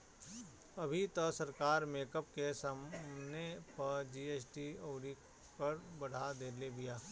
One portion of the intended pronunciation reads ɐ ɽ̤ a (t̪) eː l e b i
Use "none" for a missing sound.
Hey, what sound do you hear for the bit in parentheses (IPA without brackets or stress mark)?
d̪